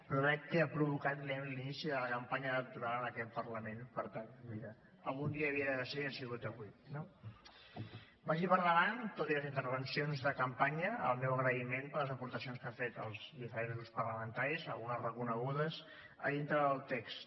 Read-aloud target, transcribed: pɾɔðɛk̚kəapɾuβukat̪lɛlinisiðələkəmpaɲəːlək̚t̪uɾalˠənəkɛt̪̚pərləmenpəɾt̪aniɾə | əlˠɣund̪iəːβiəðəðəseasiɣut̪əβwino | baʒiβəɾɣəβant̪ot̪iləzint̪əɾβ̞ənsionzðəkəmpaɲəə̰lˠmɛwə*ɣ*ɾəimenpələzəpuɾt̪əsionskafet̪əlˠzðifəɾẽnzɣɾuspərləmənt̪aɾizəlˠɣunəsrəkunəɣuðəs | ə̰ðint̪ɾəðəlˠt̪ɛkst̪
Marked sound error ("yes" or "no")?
no